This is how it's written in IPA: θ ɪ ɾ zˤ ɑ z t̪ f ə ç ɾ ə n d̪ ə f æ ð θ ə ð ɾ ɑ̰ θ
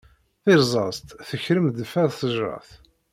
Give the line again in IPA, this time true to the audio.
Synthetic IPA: θ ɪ ɾ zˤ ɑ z t̪ θ ə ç ɾ ə m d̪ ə f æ ð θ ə ʒ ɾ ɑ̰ θ